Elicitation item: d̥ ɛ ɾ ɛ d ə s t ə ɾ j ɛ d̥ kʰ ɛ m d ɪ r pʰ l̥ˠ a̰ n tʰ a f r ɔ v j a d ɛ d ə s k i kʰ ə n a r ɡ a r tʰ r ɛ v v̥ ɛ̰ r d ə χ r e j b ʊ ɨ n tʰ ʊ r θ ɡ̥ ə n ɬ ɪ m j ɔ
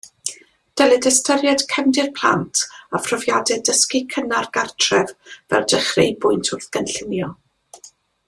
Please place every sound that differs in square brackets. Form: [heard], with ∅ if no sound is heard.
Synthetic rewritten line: d̥ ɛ [l] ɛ d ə s t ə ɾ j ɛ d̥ kʰ ɛ m d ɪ r pʰ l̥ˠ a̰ n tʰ a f r ɔ v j a d ɛ d ə s k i kʰ ə n a r ɡ a r tʰ r ɛ v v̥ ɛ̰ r d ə χ r e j b ʊ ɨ n tʰ ʊ r θ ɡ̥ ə n ɬ ɪ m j ɔ